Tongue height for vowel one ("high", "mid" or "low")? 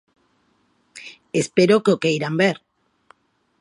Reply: mid